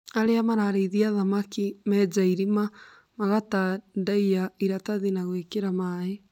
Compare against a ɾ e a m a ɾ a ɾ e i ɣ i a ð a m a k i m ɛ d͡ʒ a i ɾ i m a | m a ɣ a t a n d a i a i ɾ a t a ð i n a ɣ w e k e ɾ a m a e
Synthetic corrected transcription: a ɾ e a m a ɾ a ɾ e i ð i a ð a m a k i m ɛ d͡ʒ a i ɾ i m a | m a ɣ a t a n d a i a i ɾ a t a ð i n a ɣ w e k e ɾ a m a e